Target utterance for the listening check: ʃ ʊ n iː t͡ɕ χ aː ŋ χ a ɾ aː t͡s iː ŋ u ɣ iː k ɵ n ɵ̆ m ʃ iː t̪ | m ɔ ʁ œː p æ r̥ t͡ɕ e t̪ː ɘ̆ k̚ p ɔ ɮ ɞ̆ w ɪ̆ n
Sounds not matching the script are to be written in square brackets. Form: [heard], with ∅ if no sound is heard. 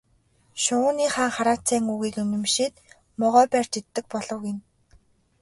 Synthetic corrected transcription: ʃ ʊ n iː [∅] χ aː ŋ χ a ɾ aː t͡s [æː] ŋ u ɣ iː k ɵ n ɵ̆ m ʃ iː t̪ | m ɔ ʁ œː p æ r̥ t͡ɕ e t̪ː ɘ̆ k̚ p ɔ ɮ ɞ̆ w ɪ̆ n